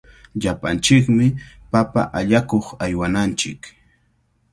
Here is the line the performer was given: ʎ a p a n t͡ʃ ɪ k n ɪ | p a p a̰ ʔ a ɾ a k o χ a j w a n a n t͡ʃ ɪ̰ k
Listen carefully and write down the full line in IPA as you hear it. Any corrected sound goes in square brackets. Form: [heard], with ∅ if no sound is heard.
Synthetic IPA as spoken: ʎ a p a n t͡ʃ ɪ k [m] ɪ | p a p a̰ ʔ a [ʎ] a k o χ a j w a n a n t͡ʃ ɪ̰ k